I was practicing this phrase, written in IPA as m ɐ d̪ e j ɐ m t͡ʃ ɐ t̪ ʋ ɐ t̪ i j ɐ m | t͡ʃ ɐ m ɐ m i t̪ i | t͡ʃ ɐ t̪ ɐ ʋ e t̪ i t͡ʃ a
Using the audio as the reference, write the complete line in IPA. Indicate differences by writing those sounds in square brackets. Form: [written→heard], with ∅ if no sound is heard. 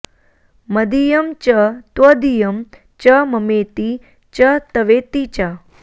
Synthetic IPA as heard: m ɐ d̪ [e→i] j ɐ m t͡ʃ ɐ t̪ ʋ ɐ [t̪→d̪] i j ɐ m | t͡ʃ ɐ m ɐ m [i→e] t̪ i | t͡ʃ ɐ t̪ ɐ ʋ e t̪ i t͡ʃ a